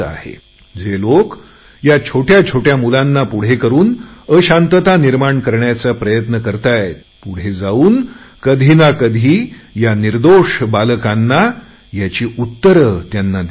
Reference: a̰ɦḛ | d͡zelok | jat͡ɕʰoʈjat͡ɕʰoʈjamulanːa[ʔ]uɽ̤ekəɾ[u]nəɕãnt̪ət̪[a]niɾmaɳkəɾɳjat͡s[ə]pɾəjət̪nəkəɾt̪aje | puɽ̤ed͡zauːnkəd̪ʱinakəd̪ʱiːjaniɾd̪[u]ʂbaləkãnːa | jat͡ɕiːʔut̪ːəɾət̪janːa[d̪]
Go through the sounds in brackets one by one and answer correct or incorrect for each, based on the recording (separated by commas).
incorrect, incorrect, correct, incorrect, incorrect, correct